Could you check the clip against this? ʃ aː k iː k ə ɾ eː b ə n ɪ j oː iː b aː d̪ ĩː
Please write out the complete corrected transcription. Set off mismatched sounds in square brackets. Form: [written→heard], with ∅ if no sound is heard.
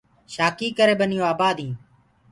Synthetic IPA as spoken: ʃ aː k iː k ə ɾ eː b ə n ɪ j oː [iː→aː] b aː d̪ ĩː